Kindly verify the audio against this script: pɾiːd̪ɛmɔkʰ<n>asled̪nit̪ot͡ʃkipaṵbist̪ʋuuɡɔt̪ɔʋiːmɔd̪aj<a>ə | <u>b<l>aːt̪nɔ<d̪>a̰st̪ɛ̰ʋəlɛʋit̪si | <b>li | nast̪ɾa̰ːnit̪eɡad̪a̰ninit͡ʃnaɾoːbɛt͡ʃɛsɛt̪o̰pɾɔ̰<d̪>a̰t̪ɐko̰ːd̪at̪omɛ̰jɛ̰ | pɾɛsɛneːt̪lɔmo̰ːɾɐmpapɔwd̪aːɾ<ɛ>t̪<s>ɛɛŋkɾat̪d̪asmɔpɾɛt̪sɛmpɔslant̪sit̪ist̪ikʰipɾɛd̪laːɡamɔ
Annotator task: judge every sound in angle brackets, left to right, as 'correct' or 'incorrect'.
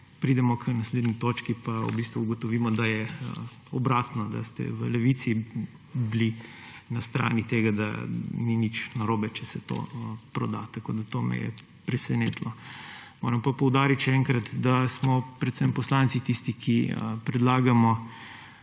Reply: correct, incorrect, incorrect, incorrect, correct, correct, correct, incorrect, incorrect

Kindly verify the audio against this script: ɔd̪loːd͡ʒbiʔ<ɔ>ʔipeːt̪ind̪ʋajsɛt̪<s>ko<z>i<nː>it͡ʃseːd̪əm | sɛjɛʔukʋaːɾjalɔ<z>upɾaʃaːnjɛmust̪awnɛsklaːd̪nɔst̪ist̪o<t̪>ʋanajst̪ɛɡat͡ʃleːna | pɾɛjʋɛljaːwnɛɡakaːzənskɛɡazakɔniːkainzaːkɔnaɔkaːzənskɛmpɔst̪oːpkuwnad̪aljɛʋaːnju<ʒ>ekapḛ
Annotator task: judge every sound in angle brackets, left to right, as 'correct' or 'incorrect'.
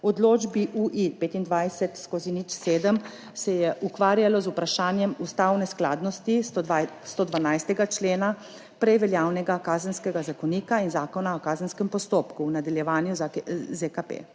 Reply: incorrect, correct, correct, incorrect, correct, incorrect, incorrect

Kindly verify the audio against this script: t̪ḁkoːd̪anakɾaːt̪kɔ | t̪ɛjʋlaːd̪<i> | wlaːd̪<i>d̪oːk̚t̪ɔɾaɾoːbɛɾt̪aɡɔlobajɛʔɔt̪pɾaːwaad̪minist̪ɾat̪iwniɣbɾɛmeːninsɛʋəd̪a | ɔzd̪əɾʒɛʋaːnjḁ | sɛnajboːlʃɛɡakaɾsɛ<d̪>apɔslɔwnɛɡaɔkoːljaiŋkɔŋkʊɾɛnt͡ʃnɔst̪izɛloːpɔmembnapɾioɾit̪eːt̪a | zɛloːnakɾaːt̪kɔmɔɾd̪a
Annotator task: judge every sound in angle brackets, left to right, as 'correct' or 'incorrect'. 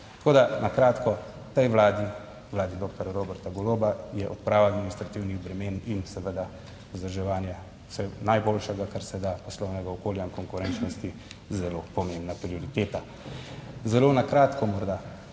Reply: correct, correct, correct

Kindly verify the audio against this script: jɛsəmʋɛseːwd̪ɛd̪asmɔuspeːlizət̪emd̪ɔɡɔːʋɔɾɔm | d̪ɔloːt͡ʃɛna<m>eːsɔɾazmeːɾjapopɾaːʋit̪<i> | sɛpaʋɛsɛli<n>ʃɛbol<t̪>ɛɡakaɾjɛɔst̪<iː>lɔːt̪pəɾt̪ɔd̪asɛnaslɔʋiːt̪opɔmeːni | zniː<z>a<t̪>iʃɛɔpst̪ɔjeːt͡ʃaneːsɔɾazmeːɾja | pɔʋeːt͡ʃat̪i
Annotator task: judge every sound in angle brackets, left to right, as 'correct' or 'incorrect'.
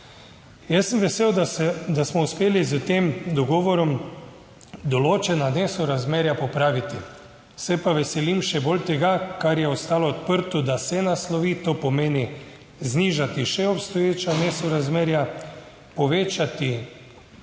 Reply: incorrect, correct, incorrect, correct, incorrect, incorrect, correct

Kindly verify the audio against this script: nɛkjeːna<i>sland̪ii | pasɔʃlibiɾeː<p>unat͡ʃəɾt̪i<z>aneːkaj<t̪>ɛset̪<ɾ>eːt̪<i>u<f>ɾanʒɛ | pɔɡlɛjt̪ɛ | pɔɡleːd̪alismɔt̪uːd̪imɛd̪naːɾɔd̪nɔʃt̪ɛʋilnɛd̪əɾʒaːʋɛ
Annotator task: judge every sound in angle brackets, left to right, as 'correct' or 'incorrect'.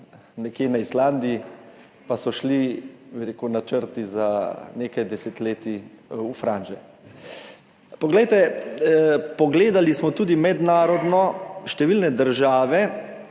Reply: correct, incorrect, correct, incorrect, incorrect, correct, correct

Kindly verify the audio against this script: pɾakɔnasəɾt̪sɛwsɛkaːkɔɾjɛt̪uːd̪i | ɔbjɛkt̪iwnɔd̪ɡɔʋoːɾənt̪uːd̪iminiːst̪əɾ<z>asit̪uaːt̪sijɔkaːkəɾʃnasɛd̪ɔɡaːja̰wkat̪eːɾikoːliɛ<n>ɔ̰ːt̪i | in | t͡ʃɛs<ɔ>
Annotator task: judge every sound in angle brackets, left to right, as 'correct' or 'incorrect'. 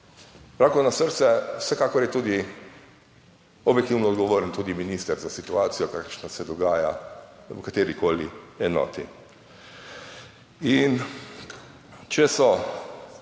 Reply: correct, correct, correct

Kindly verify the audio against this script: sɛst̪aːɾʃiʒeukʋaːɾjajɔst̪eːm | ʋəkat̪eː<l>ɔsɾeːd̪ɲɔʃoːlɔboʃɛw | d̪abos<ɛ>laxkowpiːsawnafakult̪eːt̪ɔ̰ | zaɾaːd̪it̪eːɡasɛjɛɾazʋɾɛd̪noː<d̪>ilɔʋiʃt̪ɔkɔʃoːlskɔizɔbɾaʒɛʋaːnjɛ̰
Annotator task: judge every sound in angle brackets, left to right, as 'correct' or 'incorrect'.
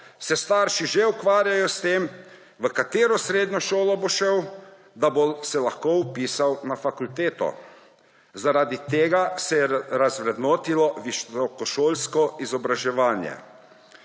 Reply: incorrect, correct, incorrect

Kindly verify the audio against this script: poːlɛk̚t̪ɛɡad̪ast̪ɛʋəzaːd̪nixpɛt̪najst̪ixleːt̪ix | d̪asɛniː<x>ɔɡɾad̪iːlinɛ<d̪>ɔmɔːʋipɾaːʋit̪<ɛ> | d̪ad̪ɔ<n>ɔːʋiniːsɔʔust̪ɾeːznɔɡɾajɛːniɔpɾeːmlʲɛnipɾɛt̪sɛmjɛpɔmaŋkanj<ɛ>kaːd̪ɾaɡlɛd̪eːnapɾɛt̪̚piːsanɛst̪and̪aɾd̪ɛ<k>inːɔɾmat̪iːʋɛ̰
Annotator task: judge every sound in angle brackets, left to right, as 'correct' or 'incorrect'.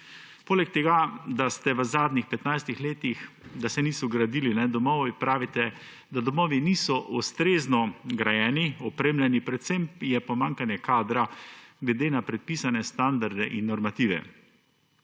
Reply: incorrect, correct, correct, incorrect, correct, incorrect

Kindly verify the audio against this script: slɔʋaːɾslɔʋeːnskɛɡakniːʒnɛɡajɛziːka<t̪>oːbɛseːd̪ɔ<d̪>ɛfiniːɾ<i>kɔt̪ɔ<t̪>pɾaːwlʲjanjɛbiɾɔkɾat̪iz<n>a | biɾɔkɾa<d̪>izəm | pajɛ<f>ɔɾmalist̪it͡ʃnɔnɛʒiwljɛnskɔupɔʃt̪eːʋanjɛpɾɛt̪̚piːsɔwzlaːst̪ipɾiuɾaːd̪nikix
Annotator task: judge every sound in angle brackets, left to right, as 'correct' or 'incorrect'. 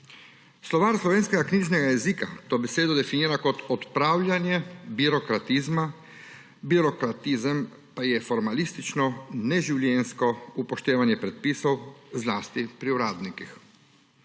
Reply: correct, correct, incorrect, correct, incorrect, incorrect, correct

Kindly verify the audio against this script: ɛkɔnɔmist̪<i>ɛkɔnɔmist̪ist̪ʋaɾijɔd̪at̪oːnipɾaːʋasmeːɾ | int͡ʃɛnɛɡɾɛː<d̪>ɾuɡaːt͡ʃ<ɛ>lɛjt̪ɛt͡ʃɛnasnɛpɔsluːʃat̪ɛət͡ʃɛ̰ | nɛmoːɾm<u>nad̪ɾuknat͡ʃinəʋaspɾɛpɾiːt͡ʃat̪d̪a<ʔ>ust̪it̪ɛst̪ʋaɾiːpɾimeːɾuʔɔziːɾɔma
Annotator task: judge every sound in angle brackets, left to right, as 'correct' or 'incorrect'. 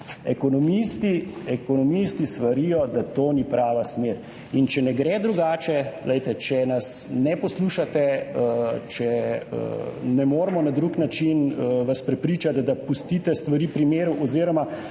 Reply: correct, correct, correct, incorrect, incorrect

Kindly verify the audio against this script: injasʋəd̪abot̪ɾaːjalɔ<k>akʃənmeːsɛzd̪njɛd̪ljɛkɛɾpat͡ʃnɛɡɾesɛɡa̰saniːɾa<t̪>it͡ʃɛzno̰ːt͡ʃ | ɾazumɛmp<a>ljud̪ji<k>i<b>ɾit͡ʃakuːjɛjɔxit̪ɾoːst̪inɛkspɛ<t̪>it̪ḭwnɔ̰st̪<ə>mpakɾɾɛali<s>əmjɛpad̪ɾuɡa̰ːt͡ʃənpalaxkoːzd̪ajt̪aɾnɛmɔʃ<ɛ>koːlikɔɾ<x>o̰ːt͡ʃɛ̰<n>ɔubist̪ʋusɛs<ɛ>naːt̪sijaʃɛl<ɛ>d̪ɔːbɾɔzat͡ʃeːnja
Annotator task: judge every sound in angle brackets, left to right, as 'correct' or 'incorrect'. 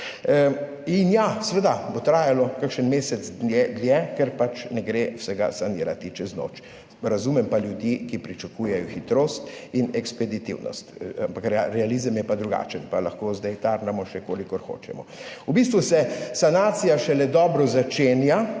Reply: correct, correct, correct, correct, incorrect, incorrect, incorrect, incorrect, correct, correct, incorrect, incorrect, correct

